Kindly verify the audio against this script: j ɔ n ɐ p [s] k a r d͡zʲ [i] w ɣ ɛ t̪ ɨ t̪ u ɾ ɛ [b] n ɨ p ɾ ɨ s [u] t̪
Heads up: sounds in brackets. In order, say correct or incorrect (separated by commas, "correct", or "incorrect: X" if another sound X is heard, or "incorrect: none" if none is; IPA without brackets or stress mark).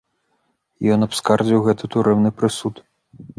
correct, correct, incorrect: w, correct